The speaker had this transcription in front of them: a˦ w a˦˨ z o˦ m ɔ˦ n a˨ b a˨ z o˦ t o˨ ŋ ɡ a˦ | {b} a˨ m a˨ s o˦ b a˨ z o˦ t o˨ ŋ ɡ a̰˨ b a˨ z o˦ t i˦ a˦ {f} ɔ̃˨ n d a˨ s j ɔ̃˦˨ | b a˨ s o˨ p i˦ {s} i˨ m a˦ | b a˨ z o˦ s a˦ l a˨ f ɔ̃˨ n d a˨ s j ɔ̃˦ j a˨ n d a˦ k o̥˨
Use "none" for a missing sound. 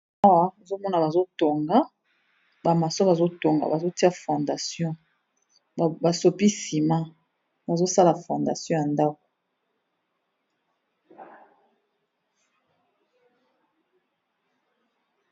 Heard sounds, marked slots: b, f, s

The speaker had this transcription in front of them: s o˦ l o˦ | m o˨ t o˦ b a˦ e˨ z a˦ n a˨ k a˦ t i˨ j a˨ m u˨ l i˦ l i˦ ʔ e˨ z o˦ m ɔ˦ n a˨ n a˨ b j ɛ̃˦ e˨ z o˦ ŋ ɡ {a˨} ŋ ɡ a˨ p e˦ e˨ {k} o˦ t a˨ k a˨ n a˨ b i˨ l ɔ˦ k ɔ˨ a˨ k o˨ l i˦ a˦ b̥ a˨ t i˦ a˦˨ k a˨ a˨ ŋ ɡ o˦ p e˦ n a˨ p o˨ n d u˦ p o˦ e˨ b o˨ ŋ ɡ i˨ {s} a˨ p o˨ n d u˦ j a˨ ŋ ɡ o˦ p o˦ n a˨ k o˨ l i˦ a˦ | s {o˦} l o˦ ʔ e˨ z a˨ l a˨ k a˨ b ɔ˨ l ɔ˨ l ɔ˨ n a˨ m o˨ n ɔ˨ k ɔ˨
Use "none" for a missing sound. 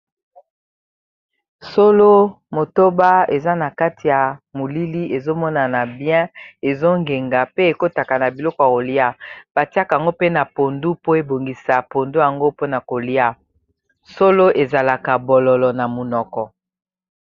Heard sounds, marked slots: e˨, k, s, o˦

